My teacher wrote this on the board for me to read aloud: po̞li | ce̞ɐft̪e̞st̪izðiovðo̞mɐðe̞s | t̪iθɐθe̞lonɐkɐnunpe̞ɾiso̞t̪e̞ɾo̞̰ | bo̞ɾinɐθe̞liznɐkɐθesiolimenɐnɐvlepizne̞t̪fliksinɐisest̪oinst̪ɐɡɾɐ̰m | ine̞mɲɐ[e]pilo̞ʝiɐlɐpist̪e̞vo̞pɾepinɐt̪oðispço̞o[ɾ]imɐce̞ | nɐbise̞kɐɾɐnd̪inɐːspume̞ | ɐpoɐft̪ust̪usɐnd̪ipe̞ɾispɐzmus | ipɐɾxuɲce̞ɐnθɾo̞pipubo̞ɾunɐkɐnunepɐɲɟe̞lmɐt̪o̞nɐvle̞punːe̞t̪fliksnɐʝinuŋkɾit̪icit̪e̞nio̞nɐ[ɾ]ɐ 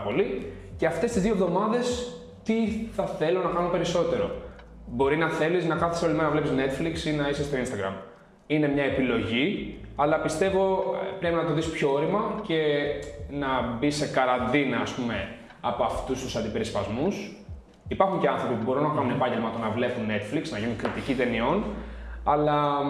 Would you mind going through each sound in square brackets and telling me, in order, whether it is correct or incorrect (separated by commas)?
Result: correct, correct, incorrect